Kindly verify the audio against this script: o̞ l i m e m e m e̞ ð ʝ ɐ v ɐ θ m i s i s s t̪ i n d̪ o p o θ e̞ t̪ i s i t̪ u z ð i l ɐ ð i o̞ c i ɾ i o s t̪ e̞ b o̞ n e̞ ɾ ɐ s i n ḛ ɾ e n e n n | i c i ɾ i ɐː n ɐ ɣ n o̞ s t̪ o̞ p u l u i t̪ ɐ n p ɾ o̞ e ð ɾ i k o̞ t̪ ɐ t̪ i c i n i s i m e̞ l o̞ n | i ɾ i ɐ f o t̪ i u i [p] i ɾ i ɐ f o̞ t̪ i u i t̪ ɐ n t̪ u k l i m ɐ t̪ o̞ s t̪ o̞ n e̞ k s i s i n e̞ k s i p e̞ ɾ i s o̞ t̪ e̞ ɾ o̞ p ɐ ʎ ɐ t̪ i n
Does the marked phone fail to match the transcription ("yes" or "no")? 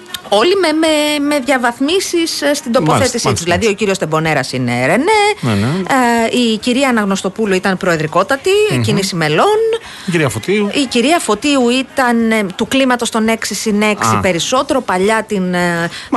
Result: yes